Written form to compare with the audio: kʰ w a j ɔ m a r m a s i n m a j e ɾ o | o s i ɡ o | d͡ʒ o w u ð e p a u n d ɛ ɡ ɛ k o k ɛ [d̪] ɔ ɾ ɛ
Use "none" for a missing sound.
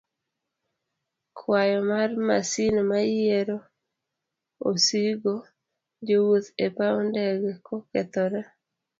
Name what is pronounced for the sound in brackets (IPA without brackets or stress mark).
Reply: t̪